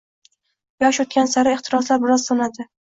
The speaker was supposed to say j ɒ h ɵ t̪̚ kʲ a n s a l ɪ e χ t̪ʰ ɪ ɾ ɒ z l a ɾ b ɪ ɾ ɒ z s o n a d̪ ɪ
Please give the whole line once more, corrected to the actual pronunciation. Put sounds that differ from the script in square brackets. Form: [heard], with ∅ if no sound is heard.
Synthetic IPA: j ɒ [ʃ] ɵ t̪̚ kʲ a n s a [ɾ] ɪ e χ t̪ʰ ɪ ɾ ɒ [s] l a ɾ b ɪ ɾ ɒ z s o n a d̪ ɪ